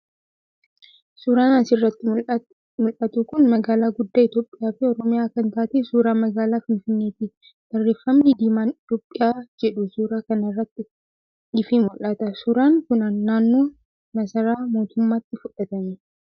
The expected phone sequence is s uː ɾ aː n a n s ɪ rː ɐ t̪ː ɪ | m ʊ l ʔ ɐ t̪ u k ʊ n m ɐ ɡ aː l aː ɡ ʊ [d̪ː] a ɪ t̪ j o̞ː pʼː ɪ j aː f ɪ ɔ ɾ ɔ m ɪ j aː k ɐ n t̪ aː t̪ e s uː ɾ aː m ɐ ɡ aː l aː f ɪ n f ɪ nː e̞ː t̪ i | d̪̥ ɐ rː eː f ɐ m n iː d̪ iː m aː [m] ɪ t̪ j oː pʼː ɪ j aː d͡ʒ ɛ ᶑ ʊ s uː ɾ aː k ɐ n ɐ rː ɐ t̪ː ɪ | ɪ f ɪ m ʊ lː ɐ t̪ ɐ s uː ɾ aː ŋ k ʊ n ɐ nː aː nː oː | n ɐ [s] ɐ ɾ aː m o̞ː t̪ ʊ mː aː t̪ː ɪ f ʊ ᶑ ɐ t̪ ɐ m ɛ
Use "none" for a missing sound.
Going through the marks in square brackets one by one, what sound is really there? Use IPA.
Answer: d̪ː, n, s

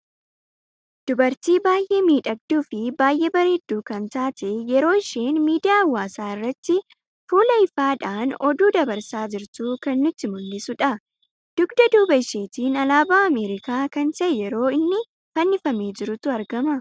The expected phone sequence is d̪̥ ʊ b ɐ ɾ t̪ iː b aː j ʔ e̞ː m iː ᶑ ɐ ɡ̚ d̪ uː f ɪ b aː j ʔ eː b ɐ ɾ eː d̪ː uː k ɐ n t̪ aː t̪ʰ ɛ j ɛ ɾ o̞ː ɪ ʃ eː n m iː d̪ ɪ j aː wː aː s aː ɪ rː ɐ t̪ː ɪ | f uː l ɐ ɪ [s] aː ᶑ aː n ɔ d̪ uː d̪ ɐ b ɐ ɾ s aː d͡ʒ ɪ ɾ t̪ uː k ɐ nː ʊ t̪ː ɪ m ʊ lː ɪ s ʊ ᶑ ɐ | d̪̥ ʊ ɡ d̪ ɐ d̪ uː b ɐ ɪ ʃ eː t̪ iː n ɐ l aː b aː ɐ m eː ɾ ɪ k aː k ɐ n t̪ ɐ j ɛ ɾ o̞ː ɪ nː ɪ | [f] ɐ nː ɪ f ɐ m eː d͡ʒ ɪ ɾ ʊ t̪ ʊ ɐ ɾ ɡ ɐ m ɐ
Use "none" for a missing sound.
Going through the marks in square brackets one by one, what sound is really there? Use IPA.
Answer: f, f

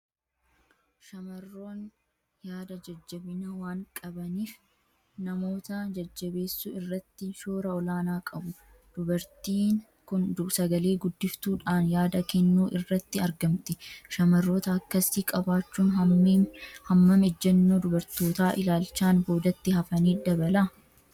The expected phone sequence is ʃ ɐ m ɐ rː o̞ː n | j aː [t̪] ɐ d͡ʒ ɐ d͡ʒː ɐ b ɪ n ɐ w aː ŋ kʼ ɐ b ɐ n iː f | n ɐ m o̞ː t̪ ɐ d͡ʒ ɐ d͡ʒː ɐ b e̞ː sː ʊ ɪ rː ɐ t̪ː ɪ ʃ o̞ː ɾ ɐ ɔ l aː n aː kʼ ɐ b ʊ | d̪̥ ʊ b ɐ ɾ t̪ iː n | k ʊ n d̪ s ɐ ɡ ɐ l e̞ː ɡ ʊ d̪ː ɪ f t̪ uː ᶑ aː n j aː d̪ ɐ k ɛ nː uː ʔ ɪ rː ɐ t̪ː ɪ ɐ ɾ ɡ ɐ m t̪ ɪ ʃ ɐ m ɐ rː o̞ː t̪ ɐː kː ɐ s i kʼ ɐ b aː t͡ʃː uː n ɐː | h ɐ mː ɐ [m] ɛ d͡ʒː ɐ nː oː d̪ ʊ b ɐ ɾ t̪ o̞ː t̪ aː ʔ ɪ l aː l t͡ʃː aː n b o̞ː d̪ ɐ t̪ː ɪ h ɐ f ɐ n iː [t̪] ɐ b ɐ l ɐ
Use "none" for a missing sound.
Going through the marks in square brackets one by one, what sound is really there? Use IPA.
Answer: d̪, m, d̪

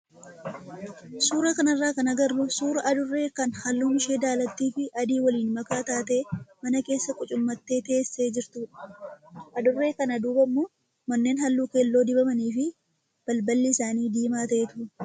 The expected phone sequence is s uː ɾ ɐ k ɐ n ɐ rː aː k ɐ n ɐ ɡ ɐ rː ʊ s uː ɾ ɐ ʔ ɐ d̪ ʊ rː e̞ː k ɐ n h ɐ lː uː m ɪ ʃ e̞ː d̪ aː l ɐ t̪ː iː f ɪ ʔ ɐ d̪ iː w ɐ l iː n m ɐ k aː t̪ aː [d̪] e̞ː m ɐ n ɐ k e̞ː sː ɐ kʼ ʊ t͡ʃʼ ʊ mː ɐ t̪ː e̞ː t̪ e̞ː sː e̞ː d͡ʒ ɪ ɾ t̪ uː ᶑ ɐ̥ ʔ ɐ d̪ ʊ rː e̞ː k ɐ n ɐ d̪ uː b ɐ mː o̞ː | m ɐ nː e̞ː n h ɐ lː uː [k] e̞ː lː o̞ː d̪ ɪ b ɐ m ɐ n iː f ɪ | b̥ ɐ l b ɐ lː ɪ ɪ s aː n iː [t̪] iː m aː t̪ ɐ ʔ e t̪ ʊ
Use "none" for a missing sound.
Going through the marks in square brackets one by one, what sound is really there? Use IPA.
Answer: t̪, k, d̪

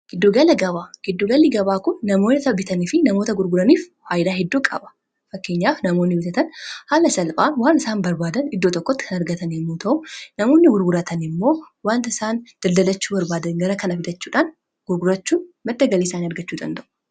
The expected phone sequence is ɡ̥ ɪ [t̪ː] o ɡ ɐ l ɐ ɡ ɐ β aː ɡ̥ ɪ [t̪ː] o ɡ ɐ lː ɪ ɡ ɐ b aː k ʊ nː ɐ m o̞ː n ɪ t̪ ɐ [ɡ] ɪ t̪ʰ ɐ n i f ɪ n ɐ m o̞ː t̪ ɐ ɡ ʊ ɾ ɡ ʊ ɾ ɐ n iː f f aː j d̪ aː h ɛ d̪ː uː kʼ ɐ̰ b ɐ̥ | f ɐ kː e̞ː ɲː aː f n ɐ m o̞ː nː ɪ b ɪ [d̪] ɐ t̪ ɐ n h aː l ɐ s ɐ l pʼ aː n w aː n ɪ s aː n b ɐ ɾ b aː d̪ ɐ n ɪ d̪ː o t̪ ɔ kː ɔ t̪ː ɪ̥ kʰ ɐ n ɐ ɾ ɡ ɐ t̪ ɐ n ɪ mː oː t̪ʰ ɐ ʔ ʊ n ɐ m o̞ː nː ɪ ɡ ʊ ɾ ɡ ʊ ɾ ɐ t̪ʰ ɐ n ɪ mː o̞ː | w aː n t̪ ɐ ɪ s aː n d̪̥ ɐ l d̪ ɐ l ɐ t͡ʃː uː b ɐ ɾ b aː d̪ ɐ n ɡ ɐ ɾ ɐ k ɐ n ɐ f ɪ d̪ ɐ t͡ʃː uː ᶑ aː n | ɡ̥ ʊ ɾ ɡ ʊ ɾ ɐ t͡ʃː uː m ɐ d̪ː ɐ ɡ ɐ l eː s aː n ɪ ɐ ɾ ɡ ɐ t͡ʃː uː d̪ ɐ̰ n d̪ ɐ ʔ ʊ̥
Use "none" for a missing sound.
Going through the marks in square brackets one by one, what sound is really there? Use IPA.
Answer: d̪ː, d̪ː, b, t̪

